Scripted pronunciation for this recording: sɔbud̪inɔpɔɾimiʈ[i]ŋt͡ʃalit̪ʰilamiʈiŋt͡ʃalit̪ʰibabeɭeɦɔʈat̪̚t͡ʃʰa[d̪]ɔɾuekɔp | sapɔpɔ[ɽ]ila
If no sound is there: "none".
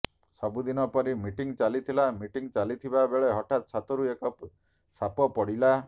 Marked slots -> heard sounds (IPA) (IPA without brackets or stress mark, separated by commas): i, t̪, ɽ